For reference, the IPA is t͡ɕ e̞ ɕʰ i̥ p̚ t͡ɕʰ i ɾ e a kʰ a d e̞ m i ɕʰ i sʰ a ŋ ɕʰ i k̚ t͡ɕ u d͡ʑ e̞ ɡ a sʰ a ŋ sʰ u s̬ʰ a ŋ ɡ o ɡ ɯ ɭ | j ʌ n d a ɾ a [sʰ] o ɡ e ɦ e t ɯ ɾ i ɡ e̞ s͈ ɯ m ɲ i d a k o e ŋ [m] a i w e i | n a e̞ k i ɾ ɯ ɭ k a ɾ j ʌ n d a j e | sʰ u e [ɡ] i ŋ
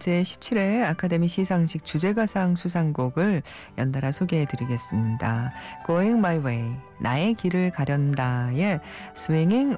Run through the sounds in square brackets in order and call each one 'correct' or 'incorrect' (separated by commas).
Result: correct, correct, incorrect